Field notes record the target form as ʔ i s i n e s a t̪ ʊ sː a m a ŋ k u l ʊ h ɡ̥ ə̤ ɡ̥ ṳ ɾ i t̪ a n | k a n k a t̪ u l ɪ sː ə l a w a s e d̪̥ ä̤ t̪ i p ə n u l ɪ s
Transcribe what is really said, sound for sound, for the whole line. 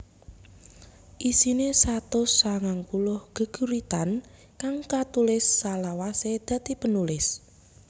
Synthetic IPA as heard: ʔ i s i n e s a t̪ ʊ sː a ŋ a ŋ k u l ʊ h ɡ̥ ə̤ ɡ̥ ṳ ɾ i t̪ a n | k a ŋ k a t̪ u l ɪ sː a l a w a s e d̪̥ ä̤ t̪ i p ə n u l ɪ s